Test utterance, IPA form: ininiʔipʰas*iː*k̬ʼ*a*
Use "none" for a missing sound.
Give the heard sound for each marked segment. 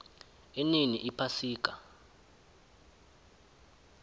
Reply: iː, a

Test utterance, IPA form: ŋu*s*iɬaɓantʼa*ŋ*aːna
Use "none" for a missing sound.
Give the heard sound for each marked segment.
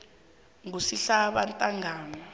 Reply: s, ŋ

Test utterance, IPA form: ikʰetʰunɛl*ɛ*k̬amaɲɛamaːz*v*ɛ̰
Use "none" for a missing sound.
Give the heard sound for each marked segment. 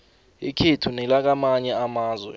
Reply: a, w

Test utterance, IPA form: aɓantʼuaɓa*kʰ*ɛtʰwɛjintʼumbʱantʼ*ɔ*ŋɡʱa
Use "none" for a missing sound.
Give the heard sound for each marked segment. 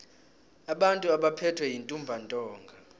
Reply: pʰ, ɔː

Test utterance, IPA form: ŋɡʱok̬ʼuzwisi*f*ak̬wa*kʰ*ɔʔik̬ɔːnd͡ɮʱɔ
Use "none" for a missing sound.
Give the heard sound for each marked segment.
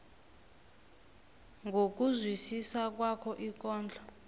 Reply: s, kʰ

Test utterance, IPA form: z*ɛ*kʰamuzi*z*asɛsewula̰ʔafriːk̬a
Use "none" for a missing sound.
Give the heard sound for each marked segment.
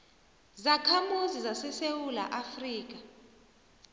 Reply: a, z

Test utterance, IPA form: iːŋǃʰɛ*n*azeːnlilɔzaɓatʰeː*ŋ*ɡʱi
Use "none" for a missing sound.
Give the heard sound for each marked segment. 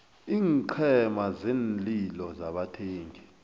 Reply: m, ŋ

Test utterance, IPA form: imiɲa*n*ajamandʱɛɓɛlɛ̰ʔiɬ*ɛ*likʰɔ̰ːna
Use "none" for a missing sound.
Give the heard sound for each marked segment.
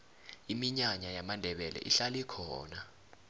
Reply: ɲ, a

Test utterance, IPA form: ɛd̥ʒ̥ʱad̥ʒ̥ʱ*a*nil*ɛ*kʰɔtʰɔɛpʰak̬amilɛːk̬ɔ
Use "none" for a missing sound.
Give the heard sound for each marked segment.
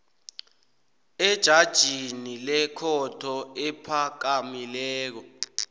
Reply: i, ɛ

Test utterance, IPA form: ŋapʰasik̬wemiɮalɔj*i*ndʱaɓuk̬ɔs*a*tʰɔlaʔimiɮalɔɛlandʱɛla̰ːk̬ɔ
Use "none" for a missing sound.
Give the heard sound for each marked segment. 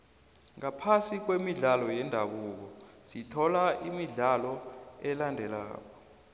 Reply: ɛ, i

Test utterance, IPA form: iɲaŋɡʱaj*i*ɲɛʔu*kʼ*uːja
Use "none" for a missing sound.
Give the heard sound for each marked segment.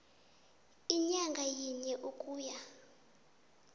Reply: i, kʼ

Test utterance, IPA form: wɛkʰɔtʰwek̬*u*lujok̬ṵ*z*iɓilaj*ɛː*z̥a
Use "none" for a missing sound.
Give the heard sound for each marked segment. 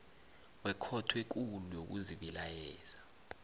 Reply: u, z, ɛː

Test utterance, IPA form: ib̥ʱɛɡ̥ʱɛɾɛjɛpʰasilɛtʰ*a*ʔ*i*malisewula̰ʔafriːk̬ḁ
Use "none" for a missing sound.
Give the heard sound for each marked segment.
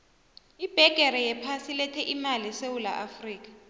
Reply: ɛ, i

